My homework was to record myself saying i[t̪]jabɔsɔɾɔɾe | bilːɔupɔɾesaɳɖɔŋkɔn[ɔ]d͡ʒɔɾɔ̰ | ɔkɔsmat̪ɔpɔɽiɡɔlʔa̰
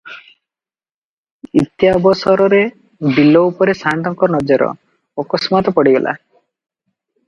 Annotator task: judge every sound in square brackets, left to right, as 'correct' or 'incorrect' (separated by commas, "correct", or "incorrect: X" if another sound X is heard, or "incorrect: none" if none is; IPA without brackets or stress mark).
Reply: correct, correct